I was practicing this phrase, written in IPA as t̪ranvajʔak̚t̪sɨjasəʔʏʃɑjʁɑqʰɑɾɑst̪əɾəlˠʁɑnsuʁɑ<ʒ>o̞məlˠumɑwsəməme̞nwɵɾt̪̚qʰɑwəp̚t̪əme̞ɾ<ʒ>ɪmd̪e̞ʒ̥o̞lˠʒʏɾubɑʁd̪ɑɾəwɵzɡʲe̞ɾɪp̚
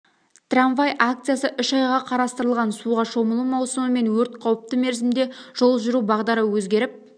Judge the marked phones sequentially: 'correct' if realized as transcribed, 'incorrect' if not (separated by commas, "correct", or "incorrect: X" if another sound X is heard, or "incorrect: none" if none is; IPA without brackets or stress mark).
incorrect: ʃ, incorrect: z